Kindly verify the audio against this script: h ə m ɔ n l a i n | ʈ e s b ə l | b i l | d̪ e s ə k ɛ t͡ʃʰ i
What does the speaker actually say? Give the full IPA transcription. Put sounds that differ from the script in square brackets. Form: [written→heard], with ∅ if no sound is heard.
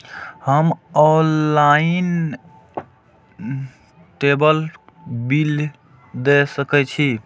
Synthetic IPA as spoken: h ə m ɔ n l a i n | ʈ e [s→∅] b ə l | b i l | d̪ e s ə k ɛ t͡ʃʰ i